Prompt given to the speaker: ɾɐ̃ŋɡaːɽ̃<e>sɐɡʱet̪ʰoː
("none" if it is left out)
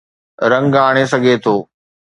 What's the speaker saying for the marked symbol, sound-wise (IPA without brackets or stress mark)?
e